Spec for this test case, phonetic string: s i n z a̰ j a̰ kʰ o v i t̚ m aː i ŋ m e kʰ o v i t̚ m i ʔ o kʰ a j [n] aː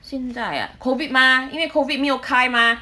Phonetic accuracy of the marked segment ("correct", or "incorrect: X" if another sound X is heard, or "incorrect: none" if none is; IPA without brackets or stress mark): incorrect: m